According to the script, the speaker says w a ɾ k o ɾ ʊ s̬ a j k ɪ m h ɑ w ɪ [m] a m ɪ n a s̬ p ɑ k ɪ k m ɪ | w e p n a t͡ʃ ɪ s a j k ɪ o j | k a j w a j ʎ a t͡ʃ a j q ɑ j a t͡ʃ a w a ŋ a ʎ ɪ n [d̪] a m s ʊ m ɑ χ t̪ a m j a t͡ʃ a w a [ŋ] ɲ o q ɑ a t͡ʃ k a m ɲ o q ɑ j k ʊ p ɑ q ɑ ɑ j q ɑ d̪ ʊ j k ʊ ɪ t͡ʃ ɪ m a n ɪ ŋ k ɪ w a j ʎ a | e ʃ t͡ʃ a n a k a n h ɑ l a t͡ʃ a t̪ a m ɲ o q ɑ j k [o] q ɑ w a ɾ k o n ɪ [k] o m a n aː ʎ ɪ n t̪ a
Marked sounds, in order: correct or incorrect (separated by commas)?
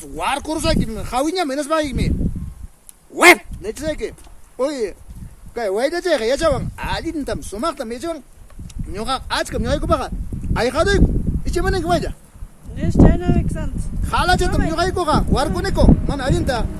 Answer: incorrect, incorrect, correct, correct, correct